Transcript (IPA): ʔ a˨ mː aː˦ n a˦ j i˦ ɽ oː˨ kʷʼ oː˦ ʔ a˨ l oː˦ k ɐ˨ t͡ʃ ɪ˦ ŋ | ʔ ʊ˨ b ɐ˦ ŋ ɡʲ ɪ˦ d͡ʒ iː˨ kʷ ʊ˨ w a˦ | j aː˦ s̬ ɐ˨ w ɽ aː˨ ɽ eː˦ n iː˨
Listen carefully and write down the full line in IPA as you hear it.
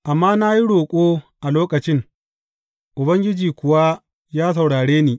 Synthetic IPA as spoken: ʔ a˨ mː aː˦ n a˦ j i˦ ɽ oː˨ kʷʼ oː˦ ʔ a˨ l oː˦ k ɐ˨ t͡ʃ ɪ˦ ŋ | ʔ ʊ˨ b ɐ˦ ŋ ɡʲ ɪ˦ d͡ʒ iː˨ kʷ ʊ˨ w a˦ | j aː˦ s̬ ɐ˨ w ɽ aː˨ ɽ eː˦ n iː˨